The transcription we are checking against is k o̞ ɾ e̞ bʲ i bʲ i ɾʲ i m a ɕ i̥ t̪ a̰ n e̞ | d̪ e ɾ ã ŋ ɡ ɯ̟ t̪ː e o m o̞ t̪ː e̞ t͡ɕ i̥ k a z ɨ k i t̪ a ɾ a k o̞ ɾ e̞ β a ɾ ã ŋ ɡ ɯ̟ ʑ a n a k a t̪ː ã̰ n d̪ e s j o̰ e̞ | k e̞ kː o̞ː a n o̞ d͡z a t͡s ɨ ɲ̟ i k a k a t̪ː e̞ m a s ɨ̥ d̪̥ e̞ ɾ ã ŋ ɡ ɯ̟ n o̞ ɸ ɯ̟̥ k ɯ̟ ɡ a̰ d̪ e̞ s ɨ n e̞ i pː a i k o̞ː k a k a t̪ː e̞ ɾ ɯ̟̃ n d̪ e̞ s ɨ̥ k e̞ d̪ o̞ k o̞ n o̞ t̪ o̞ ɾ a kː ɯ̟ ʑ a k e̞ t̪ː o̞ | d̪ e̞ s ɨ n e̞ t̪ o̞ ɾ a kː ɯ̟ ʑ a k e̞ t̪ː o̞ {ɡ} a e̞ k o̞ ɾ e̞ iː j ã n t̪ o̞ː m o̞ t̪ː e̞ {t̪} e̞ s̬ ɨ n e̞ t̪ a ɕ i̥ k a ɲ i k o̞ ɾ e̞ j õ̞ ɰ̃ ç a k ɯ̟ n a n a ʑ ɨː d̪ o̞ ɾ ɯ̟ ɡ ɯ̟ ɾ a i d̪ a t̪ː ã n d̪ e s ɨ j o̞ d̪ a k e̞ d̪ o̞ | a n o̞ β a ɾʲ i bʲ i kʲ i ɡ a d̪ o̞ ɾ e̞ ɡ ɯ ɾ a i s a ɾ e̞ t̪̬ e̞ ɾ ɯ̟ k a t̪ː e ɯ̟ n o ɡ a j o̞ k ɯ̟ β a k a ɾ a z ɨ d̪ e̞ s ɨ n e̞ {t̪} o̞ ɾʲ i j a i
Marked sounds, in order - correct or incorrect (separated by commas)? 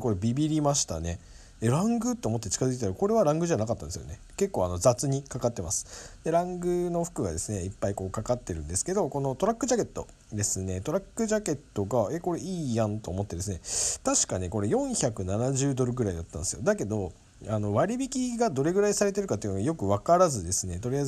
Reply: correct, incorrect, correct